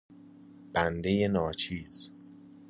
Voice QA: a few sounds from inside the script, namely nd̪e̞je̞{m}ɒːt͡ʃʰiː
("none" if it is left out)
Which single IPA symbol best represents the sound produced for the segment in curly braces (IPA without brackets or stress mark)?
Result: n